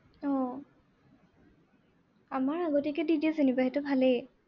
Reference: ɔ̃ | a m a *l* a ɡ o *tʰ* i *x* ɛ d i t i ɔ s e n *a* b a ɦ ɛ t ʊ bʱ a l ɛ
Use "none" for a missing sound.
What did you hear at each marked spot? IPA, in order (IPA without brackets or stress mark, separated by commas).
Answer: ɹ, t, k, i